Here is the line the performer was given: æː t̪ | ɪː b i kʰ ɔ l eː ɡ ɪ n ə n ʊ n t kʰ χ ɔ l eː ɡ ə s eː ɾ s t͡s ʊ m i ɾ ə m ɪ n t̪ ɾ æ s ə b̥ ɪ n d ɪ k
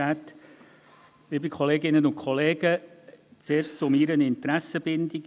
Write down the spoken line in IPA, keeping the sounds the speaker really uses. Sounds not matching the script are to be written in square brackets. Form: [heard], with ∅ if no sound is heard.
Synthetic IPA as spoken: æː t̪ | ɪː b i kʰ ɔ l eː ɡ ɪ n ə n ʊ n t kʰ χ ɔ l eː ɡ ə [t͡s] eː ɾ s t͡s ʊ m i ɾ ə [n] ɪ n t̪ ɾ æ s ə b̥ ɪ n d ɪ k

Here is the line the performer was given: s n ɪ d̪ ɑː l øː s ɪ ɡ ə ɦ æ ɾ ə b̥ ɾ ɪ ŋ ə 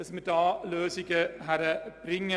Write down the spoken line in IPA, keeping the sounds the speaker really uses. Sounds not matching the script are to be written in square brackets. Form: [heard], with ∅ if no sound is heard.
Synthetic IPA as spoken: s [m] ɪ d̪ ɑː l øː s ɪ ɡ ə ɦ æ ɾ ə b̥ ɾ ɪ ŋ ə

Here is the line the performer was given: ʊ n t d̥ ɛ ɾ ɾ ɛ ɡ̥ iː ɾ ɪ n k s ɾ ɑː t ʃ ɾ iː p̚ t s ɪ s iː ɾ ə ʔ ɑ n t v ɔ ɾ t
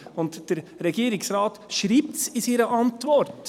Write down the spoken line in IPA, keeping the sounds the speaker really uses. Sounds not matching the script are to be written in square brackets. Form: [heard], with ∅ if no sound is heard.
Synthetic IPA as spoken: ʊ n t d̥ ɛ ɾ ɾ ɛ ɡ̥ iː ɾ ɪ [∅] k s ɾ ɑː t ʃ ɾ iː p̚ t s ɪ s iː ɾ ə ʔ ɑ n t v ɔ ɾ t

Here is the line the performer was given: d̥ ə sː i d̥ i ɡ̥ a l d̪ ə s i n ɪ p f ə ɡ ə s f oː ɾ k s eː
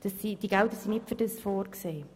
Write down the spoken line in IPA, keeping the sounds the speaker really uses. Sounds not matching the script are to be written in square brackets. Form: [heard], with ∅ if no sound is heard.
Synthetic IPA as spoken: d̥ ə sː i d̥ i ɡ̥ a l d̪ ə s i n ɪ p f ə [d] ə s f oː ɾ k s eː

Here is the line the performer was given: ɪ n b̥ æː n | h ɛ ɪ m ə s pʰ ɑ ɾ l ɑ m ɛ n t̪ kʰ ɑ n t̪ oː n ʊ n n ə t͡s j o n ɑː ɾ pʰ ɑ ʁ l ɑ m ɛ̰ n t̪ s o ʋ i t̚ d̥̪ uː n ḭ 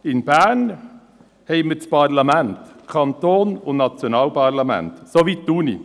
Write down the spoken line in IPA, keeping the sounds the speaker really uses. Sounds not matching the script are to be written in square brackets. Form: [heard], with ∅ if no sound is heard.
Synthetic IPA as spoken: ɪ n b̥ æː n | h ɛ ɪ m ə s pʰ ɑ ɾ l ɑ m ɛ n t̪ kʰ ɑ n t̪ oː n ʊ n n [ɑ] t͡s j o n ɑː [l] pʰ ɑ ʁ l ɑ m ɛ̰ n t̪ s o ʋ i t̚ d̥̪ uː n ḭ

